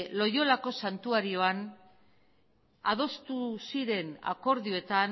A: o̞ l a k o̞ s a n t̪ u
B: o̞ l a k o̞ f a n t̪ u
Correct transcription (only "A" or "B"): A